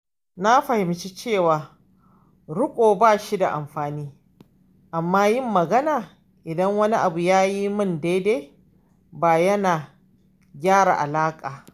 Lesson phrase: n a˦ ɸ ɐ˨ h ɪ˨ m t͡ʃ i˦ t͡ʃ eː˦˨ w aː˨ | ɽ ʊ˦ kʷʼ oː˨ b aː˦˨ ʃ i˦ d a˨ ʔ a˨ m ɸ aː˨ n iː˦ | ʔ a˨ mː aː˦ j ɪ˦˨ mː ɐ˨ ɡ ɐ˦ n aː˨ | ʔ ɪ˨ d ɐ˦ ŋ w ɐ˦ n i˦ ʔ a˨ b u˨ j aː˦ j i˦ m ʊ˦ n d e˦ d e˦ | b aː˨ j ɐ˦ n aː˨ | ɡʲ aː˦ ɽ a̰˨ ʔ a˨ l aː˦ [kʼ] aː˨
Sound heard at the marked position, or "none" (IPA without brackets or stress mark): kʼ